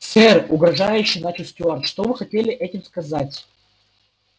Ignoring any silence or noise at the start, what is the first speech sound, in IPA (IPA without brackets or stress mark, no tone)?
s